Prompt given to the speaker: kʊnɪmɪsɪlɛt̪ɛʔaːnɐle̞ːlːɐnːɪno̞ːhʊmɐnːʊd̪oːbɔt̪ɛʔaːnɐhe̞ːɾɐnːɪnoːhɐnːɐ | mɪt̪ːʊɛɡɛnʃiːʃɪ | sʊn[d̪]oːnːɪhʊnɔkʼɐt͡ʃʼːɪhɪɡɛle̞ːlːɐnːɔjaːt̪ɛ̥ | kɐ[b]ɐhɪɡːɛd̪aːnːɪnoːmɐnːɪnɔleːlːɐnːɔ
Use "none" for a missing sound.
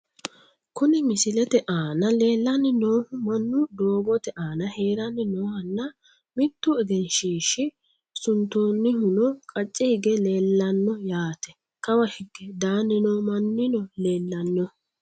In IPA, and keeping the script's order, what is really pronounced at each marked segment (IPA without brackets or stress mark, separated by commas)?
t̪, w